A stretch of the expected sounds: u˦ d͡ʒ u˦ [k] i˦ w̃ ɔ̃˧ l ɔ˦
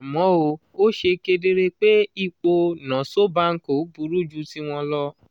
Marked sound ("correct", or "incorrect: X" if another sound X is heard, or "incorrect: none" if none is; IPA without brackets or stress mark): incorrect: t